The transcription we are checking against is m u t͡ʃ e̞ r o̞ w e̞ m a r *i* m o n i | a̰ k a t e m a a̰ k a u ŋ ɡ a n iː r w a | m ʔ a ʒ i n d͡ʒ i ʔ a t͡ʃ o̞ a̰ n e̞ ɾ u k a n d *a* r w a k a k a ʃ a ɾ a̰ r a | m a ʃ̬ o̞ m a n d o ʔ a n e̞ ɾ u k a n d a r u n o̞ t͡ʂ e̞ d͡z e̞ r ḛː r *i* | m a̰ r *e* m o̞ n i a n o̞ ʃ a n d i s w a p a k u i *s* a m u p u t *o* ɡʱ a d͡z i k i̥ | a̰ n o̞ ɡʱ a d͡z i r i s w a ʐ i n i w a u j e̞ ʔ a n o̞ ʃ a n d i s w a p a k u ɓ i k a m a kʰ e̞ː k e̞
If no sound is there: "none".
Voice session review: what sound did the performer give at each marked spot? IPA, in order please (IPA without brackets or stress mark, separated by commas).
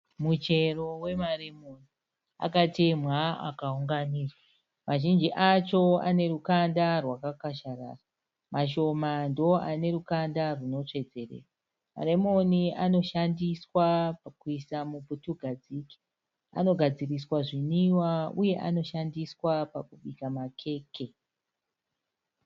e, a, a, e, s, u